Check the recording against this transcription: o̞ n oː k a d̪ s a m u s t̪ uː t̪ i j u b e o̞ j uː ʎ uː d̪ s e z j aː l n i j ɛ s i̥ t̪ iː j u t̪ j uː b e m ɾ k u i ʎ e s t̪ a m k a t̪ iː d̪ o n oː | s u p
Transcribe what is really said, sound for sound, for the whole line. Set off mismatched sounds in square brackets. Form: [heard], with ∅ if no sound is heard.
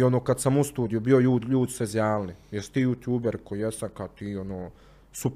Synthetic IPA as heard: o̞ n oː k a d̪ s a m u s t̪ uː [d̪] i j u b [i] o̞ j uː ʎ uː d̪ s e z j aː l n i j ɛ s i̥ t̪ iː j u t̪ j uː b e [∅] ɾ k [o] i [j] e s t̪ a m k a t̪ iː [∅] o n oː | s u p